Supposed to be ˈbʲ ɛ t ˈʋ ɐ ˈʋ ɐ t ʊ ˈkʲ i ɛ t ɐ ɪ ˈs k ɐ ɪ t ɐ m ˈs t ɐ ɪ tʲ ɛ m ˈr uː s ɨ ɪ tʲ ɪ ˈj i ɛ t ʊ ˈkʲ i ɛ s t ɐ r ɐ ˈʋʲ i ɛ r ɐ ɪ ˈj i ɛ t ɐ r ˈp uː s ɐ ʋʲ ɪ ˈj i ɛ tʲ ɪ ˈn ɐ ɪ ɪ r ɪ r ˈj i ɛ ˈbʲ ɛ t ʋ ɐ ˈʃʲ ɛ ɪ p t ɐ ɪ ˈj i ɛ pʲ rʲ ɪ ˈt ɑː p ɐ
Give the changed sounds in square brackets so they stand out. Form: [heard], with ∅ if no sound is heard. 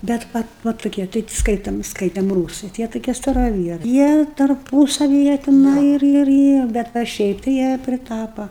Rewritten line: ˈbʲ ɛ t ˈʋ ɐ ˈʋ ɐ t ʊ ˈkʲ i ɛ t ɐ ɪ ˈs k ɐ ɪ t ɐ m ˈs [k] ɐ ɪ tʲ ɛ m ˈr uː s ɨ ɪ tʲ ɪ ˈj i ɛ t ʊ ˈkʲ i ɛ s t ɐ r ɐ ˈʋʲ i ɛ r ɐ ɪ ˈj i ɛ t ɐ r ˈp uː s ɐ ʋʲ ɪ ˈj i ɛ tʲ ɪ ˈn ɐ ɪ ɪ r ɪ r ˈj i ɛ ˈbʲ ɛ t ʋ ɐ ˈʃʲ ɛ ɪ p t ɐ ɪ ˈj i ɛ pʲ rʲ ɪ ˈt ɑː p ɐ